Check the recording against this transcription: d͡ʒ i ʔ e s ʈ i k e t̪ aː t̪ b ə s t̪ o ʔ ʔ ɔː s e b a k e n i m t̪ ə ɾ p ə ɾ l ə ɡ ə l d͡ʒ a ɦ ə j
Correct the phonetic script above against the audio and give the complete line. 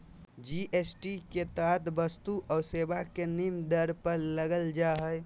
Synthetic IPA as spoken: d͡ʒ i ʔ e s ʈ i k e t̪ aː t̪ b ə s t̪ u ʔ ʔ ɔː s e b a k e n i m d̪ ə ɾ p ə ɾ l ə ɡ ə l d͡ʒ a ɦ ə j